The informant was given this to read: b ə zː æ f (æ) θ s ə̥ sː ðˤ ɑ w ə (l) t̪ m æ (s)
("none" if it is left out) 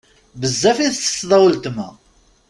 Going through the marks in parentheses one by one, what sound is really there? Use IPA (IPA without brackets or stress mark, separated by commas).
i, l, none